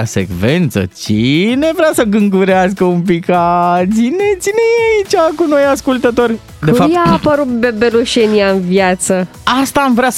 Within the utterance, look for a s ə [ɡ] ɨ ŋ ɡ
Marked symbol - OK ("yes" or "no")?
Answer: yes